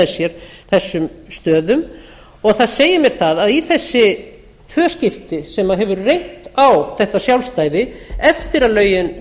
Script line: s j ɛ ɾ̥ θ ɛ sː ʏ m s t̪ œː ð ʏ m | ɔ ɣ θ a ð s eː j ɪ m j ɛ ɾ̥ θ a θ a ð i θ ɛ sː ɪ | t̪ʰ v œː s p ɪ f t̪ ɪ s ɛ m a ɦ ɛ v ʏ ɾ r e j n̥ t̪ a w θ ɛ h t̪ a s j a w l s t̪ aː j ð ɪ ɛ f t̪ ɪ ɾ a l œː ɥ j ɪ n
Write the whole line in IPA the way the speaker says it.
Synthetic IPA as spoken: s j ɛ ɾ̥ θ ɛ sː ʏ m s t̪ œː ð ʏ m | ɔ ɣ θ a ð s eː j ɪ m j ɛ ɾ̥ θ a ð a ð i θ ɛ sː ɪ | t̪ʰ v œː s c ɪ f t̪ ɪ s ɛ m a ɦ ɛ v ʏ ɾ r e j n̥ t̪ a w θ ɛ h t̪ a s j a w l s t̪ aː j ð ɪ ɛ f t̪ ɪ ɾ a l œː ɥ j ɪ n